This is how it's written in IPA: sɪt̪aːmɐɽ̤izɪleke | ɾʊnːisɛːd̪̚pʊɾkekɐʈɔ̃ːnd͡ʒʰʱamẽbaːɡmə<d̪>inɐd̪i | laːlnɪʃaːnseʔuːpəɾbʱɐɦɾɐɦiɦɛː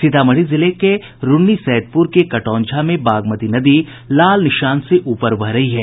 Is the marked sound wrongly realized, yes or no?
yes